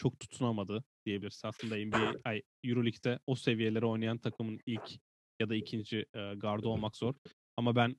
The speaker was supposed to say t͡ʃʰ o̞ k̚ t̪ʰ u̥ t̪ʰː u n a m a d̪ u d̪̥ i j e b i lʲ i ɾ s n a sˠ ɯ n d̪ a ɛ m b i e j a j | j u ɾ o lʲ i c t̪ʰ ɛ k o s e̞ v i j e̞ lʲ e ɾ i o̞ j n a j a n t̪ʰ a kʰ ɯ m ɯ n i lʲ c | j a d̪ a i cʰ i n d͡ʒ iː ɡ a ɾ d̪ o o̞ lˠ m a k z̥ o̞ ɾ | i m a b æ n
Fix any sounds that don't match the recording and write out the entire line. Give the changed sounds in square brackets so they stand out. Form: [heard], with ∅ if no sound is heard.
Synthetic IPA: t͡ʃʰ o̞ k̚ t̪ʰ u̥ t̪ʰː u n a m a d̪ [ɯ] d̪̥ i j e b i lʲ i ɾ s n a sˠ ɯ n d̪ a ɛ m b i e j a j | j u ɾ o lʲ i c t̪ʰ ɛ [∅] o s e̞ v i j e̞ lʲ e ɾ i o̞ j n a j a n t̪ʰ a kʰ ɯ m ɯ n i lʲ c | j a d̪ a i cʰ i n d͡ʒ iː ɡ a ɾ d̪ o o̞ lˠ m a k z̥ o̞ ɾ | [a] m a b æ n